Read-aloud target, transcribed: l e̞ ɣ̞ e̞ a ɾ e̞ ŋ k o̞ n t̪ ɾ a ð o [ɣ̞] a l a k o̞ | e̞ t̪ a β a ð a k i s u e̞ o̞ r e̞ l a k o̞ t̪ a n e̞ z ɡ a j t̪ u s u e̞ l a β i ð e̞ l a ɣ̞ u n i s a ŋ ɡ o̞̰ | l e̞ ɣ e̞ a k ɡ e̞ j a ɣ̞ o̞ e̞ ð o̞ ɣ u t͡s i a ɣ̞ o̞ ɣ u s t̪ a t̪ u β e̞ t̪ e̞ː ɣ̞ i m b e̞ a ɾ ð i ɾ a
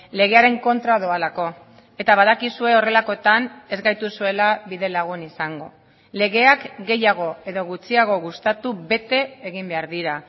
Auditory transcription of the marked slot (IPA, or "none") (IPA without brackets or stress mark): none